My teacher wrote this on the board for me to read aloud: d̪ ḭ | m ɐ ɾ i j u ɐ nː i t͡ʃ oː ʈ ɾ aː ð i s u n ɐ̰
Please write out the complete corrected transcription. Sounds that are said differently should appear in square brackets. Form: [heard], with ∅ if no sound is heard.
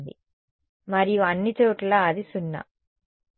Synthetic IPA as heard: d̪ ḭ | m ɐ ɾ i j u ɐ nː i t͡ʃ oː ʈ [l] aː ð i s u [nː] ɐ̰